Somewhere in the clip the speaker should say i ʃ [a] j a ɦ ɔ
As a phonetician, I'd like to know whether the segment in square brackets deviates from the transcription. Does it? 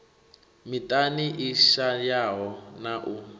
no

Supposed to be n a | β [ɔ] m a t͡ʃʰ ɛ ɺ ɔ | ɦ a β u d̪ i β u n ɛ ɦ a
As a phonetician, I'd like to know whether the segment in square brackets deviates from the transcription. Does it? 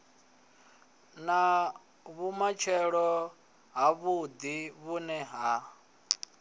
yes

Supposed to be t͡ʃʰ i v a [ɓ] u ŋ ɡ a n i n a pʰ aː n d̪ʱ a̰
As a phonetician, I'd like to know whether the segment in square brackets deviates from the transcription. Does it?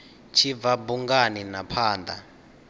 yes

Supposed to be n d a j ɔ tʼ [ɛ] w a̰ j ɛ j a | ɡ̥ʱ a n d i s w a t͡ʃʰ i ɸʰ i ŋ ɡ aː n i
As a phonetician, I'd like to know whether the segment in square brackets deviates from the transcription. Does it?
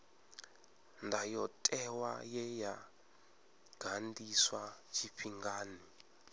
no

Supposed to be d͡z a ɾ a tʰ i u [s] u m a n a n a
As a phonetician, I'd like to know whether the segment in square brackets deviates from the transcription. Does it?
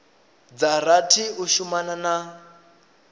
yes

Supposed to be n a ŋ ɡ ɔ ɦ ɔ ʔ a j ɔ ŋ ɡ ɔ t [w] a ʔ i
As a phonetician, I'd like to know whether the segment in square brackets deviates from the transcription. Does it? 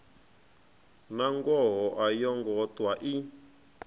no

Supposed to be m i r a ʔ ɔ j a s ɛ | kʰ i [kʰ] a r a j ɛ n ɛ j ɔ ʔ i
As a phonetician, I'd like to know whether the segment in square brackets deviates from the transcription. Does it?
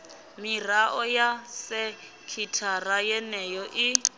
yes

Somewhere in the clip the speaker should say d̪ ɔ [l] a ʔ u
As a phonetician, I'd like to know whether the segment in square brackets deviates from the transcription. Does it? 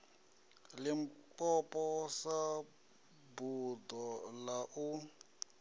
no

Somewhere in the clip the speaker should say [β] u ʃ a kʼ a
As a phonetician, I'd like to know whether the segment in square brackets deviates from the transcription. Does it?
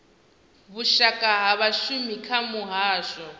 no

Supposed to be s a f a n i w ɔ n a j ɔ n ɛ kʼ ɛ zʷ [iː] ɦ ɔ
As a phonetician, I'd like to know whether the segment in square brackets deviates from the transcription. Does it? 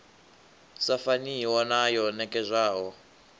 yes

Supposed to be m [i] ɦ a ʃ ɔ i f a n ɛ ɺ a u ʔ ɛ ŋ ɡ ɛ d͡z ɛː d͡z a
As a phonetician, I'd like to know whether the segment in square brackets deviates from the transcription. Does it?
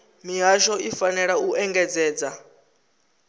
no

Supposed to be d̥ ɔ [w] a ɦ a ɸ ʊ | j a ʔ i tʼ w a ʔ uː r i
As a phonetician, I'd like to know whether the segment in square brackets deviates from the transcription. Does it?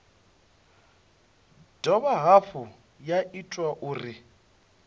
yes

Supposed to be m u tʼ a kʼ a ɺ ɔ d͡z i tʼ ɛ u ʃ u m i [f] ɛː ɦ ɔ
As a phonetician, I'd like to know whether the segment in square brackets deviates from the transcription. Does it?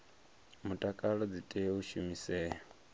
yes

